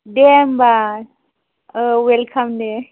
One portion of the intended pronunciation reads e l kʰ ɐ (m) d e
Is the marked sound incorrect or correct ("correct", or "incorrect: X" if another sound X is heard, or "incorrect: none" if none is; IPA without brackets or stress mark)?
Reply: correct